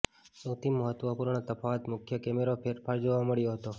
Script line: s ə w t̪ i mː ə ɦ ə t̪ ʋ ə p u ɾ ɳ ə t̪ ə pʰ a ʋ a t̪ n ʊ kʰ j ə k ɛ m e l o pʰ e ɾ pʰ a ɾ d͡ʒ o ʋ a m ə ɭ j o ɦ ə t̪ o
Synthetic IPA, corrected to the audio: s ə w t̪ i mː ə ɦ ə t̪ ʋ ə p u ɾ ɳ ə t̪ ə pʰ a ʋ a t̪ m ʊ kʰ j ə k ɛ m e ɾ o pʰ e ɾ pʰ a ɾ d͡ʒ o ʋ a m ə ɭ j o ɦ ə t̪ o